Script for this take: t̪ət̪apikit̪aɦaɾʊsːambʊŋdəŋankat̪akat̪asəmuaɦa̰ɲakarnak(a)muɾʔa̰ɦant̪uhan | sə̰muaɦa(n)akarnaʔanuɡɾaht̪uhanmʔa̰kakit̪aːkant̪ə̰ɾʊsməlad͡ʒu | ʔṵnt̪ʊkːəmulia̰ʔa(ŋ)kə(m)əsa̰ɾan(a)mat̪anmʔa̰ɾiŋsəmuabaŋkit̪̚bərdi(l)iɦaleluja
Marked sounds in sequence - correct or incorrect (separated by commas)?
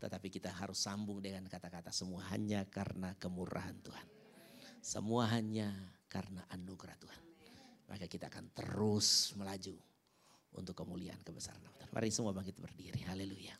incorrect, incorrect, incorrect, incorrect, correct, incorrect